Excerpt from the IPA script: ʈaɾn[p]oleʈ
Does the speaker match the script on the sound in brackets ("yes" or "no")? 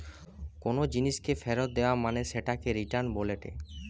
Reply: no